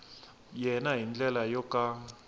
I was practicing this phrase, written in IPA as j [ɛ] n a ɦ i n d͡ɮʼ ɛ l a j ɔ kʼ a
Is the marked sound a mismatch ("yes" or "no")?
no